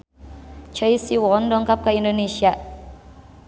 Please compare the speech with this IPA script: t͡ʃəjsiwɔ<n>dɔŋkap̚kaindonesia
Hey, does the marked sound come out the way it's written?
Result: yes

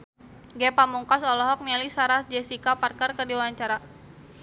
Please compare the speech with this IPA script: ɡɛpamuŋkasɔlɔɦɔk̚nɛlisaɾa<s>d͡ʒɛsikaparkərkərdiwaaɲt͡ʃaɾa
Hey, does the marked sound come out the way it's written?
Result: yes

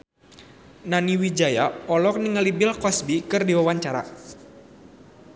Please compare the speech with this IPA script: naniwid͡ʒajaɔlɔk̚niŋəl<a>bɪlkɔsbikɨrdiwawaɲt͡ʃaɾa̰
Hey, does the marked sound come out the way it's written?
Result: no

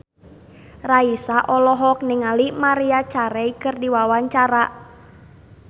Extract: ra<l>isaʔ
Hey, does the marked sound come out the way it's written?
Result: no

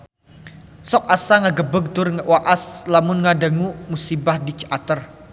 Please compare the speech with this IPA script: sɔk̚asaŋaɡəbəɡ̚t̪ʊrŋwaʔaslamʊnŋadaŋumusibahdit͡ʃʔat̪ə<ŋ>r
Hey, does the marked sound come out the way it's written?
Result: no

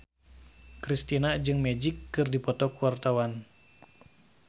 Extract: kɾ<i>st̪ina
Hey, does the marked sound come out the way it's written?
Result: yes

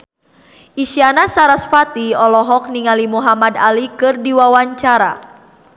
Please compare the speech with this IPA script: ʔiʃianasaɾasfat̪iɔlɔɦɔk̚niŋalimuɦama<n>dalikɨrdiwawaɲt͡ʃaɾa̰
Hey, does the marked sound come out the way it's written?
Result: no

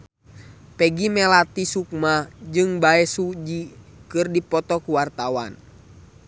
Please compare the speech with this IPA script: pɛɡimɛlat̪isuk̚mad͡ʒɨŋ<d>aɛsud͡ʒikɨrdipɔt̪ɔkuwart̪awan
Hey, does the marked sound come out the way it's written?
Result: no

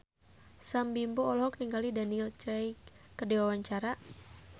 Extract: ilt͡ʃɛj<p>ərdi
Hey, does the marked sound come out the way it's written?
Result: no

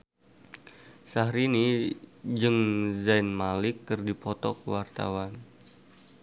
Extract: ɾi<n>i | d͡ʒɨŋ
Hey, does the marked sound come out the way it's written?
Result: yes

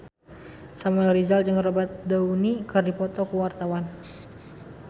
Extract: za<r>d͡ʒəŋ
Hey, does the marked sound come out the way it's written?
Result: no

